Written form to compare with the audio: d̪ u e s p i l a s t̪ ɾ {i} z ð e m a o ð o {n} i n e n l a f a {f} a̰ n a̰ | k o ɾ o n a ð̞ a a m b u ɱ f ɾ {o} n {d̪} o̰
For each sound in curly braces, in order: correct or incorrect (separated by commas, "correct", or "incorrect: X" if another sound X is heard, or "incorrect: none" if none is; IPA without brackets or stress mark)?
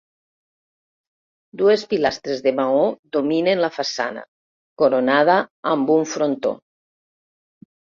incorrect: e, incorrect: m, incorrect: s, correct, incorrect: t̪